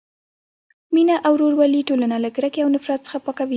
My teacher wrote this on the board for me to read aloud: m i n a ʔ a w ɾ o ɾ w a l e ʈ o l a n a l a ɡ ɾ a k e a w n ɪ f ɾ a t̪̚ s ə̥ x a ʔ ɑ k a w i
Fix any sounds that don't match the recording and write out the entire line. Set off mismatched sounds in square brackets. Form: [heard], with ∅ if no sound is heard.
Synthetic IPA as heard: m i n a ʔ a w ɾ o ɾ w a l [i] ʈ o l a n a l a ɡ ɾ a k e a w n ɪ f ɾ a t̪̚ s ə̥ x a [p] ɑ k a w i